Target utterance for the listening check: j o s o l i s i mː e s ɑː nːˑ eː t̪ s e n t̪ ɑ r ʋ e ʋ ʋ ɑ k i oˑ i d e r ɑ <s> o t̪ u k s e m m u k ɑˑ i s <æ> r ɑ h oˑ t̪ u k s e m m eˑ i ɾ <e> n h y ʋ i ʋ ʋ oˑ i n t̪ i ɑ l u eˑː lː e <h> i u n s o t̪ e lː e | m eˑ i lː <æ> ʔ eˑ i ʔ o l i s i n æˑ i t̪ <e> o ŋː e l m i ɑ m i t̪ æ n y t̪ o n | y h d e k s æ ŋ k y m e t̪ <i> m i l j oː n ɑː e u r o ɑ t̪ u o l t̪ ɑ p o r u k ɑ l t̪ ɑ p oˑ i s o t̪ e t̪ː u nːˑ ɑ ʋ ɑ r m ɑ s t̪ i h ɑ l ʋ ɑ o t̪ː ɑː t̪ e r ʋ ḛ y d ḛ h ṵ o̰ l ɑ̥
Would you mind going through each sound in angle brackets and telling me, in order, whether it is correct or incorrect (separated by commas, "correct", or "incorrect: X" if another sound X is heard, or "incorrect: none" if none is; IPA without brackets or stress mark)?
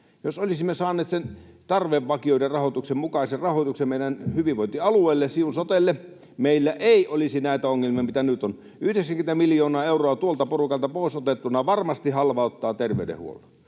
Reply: incorrect: h, incorrect: e, incorrect: æ, incorrect: s, correct, incorrect: æ, incorrect: æ